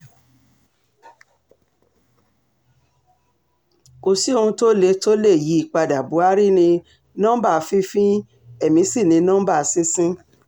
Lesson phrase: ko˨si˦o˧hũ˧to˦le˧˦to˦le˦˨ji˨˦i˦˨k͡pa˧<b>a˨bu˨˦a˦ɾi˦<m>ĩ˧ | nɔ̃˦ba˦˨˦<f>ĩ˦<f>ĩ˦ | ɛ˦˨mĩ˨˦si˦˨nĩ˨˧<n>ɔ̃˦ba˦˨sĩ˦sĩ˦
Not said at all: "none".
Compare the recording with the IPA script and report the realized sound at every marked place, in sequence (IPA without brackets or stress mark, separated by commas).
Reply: d, n, f, f, n